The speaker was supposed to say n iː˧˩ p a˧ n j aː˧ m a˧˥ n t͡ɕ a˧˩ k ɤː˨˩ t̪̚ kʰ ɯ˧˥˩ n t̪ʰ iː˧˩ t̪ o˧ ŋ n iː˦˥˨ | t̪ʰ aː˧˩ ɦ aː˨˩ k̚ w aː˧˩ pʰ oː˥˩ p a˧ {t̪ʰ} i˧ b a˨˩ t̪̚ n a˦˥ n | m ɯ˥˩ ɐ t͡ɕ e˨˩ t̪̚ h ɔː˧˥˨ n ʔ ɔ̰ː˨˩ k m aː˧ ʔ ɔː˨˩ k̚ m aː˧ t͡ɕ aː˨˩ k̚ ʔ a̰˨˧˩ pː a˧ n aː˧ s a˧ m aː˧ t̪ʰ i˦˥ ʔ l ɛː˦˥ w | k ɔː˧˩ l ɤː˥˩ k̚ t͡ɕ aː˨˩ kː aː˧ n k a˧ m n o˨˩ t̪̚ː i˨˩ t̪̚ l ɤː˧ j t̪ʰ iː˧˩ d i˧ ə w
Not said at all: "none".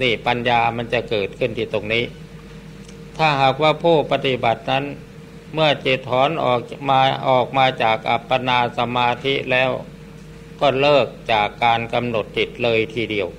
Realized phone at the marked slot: t̪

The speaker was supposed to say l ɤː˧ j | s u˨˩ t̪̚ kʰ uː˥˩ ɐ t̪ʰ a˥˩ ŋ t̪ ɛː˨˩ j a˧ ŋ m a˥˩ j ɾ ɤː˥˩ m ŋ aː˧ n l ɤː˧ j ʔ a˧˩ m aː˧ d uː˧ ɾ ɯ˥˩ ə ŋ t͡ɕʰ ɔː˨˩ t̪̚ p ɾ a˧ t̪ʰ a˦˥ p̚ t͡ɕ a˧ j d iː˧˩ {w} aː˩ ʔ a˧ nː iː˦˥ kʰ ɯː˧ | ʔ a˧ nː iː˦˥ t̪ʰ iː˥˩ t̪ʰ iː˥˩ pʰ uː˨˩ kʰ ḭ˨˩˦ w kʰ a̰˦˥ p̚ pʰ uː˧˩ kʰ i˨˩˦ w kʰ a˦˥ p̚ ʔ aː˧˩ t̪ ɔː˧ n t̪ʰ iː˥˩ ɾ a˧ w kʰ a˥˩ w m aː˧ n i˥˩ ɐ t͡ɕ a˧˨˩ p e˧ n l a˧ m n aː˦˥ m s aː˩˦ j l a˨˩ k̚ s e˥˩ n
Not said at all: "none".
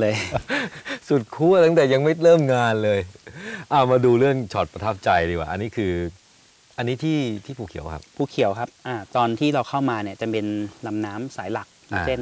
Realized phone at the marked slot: w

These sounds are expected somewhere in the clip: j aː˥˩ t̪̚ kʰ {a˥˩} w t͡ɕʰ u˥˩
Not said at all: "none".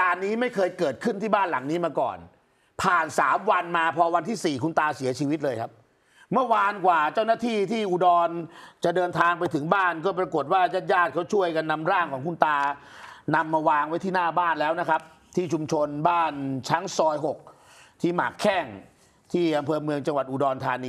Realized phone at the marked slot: a˦˥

